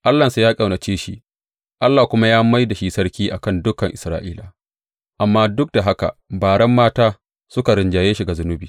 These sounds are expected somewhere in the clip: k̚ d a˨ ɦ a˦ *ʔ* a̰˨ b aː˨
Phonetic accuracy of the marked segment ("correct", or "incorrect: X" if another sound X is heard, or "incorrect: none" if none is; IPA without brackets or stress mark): incorrect: k